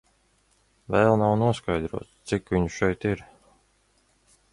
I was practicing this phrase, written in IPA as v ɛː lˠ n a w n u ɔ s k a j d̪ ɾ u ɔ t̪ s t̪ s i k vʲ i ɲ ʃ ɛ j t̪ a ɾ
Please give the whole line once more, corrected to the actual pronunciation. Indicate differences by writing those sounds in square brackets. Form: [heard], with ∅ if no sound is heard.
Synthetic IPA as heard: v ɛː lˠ n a w n u ɔ s k a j d̪ ɾ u ɔ t̪ s t̪ s i k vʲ i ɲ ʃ ɛ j t̪ [i] ɾ